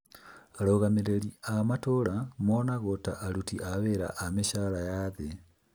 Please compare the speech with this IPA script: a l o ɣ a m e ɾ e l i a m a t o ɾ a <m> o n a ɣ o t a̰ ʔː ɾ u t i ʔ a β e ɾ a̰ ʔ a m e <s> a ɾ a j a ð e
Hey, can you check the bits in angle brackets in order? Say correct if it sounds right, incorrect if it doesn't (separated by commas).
correct, incorrect